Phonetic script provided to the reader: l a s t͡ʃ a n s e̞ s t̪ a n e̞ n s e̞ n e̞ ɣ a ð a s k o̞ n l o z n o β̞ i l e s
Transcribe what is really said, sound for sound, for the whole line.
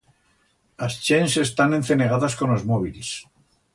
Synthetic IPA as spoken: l a s t͡ʃ e n s e̞ s t̪ a n e̞ n θ e̞ n e̞ ɣ a ð a s k o̞ n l o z m o β̞ i l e s